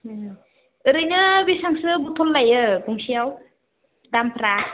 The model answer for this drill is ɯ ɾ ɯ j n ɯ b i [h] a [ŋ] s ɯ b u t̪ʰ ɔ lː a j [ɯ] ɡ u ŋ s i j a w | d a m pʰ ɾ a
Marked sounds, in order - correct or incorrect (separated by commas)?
incorrect, correct, correct